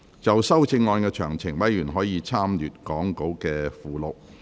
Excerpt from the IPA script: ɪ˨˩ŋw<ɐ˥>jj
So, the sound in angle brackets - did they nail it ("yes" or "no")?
no